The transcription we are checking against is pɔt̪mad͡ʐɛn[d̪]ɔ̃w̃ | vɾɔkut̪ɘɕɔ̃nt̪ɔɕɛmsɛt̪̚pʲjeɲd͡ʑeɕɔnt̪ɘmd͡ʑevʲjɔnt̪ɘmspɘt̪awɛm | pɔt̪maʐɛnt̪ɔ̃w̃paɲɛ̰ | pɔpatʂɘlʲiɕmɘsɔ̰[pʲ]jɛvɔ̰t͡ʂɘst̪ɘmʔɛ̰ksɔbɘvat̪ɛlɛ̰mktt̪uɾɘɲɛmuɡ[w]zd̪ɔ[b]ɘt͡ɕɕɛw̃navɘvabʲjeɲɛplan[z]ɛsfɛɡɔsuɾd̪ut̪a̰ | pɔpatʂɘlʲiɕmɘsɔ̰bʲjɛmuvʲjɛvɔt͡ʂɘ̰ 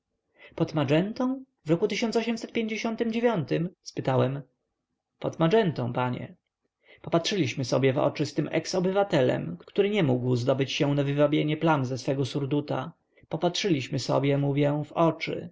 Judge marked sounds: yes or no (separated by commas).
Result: no, no, yes, yes, yes